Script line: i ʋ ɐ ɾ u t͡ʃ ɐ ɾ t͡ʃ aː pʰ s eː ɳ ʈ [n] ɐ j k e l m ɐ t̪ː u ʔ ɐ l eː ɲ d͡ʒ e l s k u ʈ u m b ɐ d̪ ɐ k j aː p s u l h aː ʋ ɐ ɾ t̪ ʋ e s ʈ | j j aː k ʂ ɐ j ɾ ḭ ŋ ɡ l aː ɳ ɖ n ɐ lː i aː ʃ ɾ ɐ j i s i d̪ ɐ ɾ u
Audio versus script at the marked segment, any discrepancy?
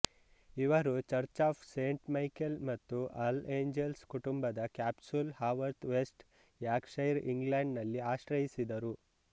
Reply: yes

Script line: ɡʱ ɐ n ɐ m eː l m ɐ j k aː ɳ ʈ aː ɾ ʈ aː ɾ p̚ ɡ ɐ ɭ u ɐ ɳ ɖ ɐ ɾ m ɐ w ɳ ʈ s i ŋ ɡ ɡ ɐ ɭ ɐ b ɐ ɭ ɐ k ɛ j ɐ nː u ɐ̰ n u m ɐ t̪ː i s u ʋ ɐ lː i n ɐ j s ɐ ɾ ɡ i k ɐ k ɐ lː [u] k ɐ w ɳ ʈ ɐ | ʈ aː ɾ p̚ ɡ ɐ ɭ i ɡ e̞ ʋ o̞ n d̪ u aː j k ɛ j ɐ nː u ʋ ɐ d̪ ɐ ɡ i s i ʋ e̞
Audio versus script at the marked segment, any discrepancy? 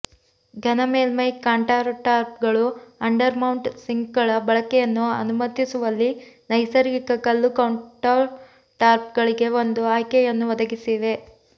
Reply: no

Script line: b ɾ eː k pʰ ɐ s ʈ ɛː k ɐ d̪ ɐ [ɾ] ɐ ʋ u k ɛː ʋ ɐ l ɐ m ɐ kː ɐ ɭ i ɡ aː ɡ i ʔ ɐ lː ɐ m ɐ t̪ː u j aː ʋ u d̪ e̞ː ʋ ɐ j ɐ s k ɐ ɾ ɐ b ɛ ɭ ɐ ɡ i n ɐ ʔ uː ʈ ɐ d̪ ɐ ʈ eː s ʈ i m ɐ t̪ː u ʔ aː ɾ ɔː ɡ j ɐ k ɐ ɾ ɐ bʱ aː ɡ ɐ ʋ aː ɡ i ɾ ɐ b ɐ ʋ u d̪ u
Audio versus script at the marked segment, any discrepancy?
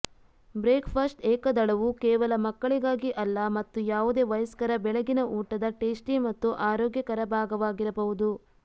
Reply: yes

